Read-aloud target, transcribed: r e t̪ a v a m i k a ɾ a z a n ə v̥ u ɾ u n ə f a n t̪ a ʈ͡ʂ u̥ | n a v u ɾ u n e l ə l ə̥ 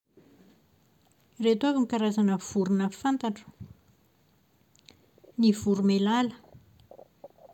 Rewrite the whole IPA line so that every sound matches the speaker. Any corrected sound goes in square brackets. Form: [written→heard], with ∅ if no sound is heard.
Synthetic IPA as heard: r e t̪ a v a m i k a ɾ a z a n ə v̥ u ɾ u n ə f a n t̪ a ʈ͡ʂ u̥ | n [a→i] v u ɾ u [n→m] e l [ə→a] l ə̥

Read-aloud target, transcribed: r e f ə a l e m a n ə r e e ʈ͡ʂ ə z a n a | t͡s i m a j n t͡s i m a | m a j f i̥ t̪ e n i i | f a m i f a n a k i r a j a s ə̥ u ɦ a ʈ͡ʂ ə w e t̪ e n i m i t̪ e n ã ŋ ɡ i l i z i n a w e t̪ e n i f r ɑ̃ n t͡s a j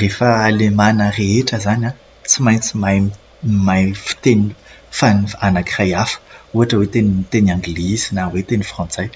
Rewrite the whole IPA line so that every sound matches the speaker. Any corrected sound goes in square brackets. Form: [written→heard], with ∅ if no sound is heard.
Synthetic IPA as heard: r e f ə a l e m a n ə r e e ʈ͡ʂ ə z a n a | t͡s i m a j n t͡s i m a | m a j f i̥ t̪ e n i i | f a [m→n] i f a n a k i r a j a [s→f] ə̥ u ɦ a ʈ͡ʂ ə w e t̪ e n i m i t̪ e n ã ŋ ɡ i l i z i n a w e t̪ e n i f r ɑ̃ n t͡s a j

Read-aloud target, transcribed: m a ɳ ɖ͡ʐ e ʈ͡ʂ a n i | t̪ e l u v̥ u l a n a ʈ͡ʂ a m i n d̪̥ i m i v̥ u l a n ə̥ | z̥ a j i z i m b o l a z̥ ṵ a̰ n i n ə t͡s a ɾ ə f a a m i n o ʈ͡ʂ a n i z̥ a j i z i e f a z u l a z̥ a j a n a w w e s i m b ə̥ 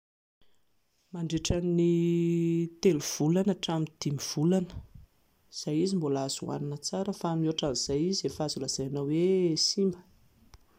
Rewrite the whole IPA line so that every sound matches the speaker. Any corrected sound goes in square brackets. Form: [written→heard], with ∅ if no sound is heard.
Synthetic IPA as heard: m a ɳ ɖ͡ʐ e ʈ͡ʂ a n i | t̪ e l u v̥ u l a n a ʈ͡ʂ a m i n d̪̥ i m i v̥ u l a n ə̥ | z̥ a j i z i m b o l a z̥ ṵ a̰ n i n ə t͡s a ɾ ə f a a m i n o ʈ͡ʂ a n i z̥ a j i z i e f a z u l a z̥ a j a n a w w e s i m b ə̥

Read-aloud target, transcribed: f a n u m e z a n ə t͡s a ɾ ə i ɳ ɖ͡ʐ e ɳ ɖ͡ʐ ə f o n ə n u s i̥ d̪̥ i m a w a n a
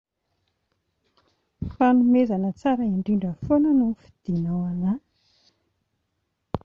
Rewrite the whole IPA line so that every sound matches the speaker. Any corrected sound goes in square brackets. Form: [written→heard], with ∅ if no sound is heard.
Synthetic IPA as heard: f a n u m e z a n ə t͡s a ɾ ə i ɳ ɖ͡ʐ [e→i] ɳ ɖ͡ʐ ə f o n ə n u [s→f] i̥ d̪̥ i [m→n] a w a n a

